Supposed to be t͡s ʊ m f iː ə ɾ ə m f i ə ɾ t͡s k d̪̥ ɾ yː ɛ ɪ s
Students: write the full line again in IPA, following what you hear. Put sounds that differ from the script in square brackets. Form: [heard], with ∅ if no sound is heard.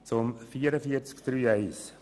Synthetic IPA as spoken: t͡s ʊ m f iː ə ɾ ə [∅] f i ə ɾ t͡s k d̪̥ ɾ yː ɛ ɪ s